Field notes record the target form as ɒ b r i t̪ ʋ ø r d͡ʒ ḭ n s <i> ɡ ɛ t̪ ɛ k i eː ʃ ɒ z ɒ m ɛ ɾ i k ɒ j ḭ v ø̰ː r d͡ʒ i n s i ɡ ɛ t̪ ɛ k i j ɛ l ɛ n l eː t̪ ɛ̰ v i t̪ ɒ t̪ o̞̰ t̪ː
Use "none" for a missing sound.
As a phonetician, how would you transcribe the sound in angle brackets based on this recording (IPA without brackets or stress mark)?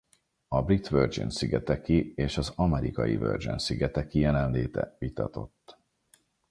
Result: i